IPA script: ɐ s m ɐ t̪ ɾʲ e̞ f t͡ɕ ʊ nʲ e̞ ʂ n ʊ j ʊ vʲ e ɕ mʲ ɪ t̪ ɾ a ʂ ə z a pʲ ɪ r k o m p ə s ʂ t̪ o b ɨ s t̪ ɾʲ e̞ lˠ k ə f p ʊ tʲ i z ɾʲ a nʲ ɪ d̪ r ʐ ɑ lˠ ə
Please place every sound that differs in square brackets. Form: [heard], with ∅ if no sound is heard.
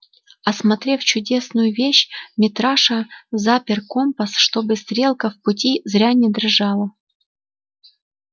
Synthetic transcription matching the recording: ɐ s m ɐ t̪ ɾʲ e̞ f t͡ɕ ʊ [dʲ] e̞ [s] n ʊ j ʊ vʲ e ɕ mʲ ɪ t̪ ɾ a ʂ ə z a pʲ ɪ r k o m p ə s ʂ t̪ o b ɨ s t̪ ɾʲ e̞ lˠ k ə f p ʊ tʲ i z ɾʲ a nʲ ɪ d̪ r ʐ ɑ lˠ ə